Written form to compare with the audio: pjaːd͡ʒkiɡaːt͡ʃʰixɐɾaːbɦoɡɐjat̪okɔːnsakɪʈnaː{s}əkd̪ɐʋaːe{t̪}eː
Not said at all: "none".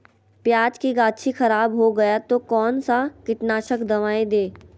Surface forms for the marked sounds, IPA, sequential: ʃ, d̪

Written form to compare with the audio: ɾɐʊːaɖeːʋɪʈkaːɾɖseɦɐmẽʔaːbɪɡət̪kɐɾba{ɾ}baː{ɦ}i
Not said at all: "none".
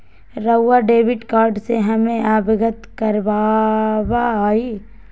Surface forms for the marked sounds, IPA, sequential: none, none

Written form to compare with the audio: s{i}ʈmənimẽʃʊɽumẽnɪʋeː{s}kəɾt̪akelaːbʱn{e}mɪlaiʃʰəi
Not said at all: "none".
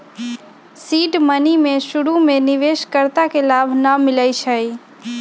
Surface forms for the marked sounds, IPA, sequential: iː, ʃ, a

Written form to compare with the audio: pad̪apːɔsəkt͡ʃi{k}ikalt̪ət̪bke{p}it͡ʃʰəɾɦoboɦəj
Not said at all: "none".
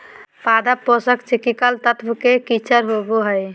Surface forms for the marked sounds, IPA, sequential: k, k

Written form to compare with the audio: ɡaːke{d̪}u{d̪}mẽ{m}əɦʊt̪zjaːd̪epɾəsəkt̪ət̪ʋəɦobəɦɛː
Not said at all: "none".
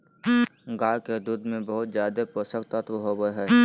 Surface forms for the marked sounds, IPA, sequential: d̪, d̪, b

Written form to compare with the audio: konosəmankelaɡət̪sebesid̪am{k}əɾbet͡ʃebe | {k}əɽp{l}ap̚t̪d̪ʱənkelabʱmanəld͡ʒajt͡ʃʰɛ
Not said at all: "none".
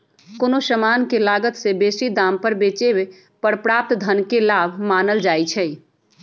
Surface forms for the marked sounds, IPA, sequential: p, p, ɾ

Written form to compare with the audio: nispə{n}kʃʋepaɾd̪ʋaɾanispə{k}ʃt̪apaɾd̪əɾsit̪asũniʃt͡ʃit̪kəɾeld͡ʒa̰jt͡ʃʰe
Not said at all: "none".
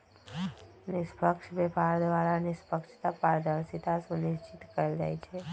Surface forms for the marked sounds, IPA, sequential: none, k

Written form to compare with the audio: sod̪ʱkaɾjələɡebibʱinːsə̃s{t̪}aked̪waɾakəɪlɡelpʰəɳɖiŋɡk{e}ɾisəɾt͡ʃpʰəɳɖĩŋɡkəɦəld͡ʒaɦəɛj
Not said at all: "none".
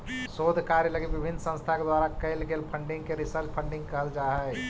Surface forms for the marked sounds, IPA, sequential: t̪ʰ, e

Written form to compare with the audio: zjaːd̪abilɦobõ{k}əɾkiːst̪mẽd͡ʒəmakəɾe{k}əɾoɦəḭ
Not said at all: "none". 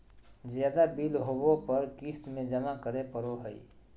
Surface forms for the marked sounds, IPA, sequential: p, p

